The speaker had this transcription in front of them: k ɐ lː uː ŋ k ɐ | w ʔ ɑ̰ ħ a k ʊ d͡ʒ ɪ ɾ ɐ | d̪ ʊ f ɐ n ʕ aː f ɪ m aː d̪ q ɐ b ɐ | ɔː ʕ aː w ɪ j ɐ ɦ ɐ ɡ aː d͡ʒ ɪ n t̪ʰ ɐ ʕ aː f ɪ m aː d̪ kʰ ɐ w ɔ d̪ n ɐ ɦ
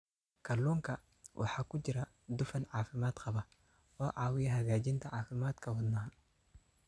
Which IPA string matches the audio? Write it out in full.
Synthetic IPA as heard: k ɐ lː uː ŋ k ɐ | w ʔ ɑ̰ ħ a k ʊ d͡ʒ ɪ ɾ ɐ | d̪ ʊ f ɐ n ʕ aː f ɪ m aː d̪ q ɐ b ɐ | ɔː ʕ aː w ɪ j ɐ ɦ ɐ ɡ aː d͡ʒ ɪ n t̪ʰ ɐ ʕ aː f ɪ m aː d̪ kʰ ɐ w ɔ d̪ n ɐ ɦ

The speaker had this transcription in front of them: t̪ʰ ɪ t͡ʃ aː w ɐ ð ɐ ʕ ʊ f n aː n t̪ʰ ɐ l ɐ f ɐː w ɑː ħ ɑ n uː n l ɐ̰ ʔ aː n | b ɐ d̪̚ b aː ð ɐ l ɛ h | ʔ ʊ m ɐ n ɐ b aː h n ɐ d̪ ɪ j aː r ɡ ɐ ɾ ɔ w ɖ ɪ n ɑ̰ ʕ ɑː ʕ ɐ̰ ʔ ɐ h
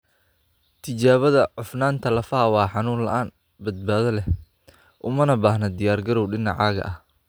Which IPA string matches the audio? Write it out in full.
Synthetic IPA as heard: t̪ʰ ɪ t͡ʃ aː β ɐ ð ɐ ʕ ʊ f n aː n t̪ʰ ɐ l ɐ f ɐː w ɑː ħ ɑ n uː n l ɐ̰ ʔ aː n | b ɐ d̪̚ b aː ð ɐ l ɛ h | ʔ ʊ m ɐ n ɐ b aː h n ɐ d̪ ɪ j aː r ɡ ɐ ɾ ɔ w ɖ ɪ n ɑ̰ ʕ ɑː ɣ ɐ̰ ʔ ɐ h

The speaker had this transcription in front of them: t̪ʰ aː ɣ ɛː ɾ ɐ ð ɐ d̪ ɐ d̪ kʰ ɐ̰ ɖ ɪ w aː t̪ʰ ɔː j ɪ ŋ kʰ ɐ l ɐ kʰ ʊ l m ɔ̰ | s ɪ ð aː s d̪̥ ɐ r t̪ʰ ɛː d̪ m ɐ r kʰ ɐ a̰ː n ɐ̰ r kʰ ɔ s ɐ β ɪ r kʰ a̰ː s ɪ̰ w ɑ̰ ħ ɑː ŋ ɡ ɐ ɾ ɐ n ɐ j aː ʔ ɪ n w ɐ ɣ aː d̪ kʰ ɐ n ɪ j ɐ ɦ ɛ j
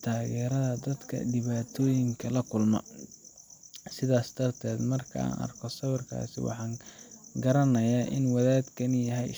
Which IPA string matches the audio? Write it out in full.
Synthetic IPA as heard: t̪ʰ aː ɣ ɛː ɾ ɐ ð ɐ d̪ ɐ d̪ kʰ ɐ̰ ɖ ɪ β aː t̪ʰ ɔː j ɪ ŋ kʰ ɐ l ɐ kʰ ʊ l m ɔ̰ | s ɪ ð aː s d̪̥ ɐ r t̪ʰ ɛː d̪ m ɐ r kʰ ɐ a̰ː n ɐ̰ r kʰ ɔ s ɐ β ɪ r kʰ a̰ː s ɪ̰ w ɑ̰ ħ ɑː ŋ ɡ ɐ ɾ ɐ n ɐ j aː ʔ ɪ n w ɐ ð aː d̪ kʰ ɐ n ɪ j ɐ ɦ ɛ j

